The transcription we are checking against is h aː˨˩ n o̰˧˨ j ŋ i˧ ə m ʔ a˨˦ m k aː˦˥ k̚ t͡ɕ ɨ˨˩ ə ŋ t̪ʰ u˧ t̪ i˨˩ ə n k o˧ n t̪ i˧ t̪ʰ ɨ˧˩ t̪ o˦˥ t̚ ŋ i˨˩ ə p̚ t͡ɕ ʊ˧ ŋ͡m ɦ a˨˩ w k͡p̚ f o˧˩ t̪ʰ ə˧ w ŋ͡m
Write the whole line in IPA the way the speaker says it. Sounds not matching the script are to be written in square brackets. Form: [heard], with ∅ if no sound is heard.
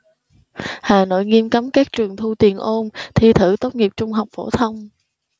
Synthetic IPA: h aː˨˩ n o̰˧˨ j ŋ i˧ ə m [k] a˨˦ m k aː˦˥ k̚ t͡ɕ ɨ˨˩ ə ŋ t̪ʰ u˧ t̪ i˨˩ ə n [ʔ] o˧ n [t̪ʰ] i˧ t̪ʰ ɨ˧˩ t̪ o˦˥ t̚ ŋ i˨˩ ə p̚ t͡ɕ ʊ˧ ŋ͡m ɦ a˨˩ w k͡p̚ f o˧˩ t̪ʰ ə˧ w ŋ͡m